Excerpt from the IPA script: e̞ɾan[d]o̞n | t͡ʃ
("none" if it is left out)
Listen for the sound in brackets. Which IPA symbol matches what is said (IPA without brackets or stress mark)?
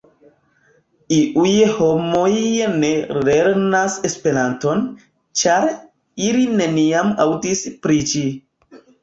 t